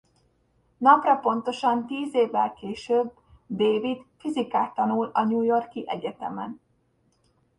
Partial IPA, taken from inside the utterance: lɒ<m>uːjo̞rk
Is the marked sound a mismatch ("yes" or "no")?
yes